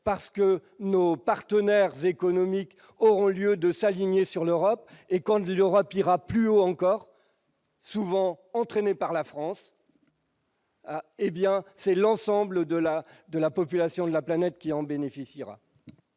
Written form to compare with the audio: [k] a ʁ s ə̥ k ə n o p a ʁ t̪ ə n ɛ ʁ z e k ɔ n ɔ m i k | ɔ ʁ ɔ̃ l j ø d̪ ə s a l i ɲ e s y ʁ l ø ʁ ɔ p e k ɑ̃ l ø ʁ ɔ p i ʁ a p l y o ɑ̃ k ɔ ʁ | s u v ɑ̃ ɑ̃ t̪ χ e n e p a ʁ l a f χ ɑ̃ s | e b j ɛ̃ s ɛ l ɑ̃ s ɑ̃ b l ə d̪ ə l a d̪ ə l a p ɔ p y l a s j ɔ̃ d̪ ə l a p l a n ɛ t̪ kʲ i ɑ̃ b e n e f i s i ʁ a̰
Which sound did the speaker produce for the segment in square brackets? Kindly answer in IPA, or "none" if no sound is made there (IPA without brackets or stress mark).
p